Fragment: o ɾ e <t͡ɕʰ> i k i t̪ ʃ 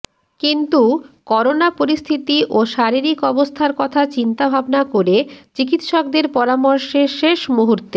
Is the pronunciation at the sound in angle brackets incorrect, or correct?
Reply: incorrect